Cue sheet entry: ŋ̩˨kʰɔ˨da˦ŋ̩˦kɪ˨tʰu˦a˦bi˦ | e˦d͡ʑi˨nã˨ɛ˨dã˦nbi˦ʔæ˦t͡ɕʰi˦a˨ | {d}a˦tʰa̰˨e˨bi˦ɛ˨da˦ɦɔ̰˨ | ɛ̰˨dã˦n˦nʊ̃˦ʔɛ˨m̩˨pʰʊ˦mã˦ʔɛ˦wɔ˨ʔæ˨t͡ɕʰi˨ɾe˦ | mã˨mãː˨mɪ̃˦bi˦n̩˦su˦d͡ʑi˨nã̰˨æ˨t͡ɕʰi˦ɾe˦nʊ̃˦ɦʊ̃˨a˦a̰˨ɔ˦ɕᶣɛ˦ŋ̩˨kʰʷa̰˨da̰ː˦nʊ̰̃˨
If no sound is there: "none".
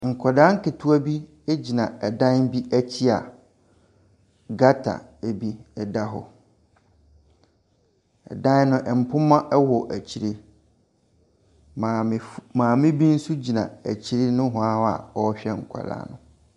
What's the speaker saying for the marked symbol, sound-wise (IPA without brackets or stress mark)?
ɡ